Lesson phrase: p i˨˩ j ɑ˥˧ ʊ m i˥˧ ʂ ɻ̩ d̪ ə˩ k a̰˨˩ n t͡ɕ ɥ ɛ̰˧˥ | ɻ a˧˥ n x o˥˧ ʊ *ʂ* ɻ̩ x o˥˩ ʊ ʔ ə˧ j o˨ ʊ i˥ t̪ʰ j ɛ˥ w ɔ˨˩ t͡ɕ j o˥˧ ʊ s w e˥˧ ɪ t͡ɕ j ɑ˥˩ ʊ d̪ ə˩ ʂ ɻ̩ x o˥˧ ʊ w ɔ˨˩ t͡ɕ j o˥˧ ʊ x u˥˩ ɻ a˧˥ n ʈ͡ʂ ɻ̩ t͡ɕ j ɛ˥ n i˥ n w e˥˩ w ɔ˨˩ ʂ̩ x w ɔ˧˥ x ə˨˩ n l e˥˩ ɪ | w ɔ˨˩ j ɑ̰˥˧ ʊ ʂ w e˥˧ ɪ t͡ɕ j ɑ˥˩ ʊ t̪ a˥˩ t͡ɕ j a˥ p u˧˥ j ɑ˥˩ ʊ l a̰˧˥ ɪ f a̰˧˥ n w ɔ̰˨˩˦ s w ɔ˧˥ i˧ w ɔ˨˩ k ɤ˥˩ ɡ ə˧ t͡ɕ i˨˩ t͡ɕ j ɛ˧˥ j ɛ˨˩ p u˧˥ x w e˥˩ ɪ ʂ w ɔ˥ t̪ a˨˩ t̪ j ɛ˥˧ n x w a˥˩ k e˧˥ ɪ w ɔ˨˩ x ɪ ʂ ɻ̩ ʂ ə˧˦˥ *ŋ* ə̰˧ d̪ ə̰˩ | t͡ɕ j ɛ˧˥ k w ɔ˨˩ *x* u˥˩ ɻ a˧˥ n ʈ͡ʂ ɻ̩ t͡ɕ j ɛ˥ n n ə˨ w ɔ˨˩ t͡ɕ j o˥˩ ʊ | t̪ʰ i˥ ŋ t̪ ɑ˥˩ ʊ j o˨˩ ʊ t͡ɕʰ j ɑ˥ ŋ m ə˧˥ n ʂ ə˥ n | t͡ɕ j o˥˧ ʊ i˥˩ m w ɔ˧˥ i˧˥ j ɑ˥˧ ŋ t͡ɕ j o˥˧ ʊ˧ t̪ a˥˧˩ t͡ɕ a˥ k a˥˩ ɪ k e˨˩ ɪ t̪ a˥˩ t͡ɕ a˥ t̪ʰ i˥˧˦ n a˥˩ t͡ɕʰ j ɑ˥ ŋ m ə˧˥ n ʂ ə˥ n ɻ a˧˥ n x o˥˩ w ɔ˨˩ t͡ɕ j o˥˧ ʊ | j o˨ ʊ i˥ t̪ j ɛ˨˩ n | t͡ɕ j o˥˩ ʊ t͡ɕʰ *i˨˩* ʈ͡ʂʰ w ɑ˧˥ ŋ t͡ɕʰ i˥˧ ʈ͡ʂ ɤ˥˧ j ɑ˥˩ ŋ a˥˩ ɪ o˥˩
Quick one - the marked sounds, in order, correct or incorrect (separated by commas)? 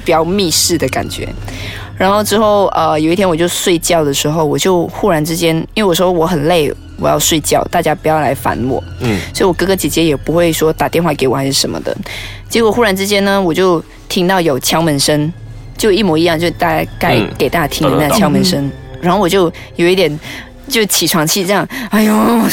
incorrect, incorrect, correct, correct